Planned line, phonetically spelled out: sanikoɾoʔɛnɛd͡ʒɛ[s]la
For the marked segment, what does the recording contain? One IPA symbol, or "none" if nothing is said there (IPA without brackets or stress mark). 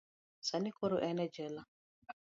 none